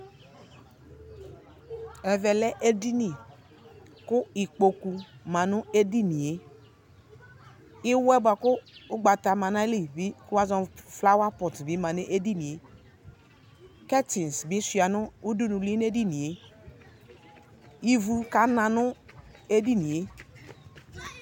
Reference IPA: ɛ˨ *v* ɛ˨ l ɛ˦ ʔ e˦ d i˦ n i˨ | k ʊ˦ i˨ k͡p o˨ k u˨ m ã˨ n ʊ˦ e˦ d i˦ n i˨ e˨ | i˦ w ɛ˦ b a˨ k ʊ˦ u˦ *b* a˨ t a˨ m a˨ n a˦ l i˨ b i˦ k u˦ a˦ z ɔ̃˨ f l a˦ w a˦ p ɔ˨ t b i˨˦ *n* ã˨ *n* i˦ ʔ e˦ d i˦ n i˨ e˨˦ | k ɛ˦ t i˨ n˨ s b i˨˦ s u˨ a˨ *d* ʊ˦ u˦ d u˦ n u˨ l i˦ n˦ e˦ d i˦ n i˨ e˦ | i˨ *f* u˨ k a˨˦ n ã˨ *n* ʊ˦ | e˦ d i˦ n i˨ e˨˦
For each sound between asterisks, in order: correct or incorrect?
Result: correct, incorrect, incorrect, correct, incorrect, incorrect, correct

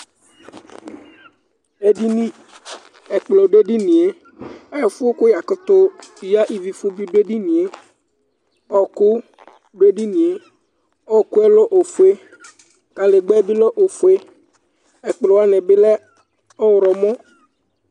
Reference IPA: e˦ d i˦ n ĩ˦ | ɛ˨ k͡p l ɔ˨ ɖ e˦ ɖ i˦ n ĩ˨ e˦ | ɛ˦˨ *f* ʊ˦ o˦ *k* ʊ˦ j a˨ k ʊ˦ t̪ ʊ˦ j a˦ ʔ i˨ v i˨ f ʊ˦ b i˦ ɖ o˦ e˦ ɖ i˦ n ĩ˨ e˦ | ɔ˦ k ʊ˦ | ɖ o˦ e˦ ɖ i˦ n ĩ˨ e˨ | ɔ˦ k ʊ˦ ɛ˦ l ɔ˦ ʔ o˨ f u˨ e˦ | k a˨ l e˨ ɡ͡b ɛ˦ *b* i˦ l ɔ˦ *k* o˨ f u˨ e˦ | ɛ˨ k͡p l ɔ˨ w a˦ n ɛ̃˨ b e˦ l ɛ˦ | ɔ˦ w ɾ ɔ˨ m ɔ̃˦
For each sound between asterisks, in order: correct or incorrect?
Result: correct, correct, correct, incorrect

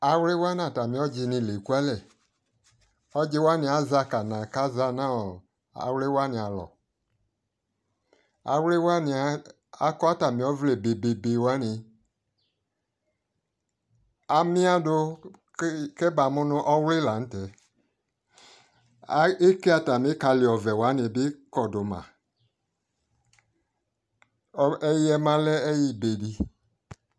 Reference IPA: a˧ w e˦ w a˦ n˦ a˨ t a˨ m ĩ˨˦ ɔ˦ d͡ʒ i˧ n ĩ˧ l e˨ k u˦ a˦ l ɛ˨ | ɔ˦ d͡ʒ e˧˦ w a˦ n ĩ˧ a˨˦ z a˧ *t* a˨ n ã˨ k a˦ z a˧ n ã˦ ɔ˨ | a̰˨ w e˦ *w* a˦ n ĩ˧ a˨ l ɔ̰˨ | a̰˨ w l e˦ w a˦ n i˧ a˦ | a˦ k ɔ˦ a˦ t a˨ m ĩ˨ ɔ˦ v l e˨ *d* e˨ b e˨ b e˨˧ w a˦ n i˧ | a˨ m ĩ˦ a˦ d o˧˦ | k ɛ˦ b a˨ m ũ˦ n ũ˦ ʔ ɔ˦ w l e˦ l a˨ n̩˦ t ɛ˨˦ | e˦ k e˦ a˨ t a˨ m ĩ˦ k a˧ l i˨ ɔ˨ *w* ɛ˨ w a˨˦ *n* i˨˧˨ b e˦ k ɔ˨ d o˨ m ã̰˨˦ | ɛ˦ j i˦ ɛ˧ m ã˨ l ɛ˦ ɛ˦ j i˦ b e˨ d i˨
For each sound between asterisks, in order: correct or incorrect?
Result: incorrect, correct, incorrect, incorrect, correct

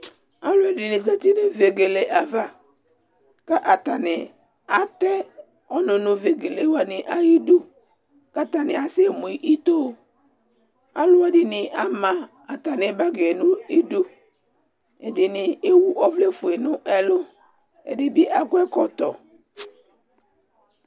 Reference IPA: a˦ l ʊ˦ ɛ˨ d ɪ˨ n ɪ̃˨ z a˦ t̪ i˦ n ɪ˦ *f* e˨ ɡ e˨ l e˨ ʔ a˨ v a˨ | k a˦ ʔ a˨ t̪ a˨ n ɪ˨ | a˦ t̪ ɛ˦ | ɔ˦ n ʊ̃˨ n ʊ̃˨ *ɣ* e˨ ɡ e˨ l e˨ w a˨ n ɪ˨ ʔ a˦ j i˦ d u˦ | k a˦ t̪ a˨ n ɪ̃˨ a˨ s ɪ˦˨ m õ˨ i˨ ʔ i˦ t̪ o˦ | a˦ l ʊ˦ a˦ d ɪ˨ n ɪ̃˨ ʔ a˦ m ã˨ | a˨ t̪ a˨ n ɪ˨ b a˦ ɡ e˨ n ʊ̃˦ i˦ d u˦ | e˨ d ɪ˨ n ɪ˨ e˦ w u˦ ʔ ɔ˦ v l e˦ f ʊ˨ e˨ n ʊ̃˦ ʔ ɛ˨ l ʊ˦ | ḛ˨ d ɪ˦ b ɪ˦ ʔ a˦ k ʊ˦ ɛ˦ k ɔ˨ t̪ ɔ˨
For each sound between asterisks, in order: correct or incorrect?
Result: incorrect, incorrect

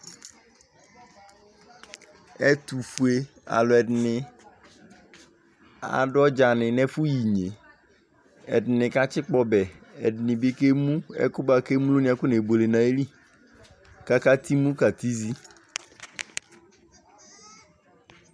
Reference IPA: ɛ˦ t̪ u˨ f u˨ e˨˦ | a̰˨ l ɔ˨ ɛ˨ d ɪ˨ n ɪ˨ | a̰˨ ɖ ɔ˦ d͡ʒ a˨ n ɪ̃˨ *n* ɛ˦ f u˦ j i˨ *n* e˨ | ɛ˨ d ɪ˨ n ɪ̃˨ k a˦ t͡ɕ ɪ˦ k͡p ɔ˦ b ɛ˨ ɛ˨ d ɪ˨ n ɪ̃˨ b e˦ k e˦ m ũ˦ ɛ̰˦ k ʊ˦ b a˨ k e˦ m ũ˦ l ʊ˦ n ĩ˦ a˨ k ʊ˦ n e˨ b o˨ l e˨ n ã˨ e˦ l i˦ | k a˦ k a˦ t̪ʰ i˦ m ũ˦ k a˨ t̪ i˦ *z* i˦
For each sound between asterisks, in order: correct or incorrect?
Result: correct, incorrect, correct

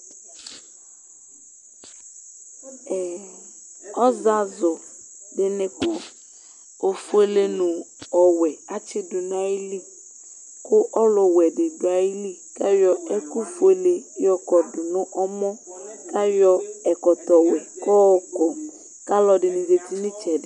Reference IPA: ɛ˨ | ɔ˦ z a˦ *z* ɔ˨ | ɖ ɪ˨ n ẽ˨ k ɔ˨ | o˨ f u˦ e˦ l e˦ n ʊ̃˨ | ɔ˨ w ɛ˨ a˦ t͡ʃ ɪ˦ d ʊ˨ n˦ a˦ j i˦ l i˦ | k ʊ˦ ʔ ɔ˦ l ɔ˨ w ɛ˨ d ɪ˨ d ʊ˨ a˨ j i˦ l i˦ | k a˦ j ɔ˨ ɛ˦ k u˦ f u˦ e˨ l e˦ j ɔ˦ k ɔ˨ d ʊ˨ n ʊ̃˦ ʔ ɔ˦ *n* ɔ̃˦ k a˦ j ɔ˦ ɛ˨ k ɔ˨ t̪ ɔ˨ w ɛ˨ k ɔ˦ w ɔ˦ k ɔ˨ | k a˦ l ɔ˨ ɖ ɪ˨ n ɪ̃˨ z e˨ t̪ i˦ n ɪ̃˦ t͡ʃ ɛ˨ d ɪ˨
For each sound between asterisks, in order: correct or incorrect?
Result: correct, incorrect

